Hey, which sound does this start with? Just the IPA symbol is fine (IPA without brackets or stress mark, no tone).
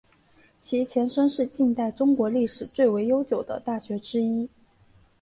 t͡ɕʰ